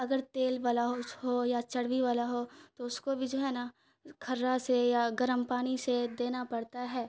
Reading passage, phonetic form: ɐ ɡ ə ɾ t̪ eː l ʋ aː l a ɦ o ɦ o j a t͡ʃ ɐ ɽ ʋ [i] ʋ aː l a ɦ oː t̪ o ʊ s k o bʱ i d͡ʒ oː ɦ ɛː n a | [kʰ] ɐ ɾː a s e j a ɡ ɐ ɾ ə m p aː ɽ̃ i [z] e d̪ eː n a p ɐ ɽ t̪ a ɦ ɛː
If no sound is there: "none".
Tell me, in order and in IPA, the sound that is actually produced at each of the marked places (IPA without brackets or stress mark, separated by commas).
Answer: i, kʰ, s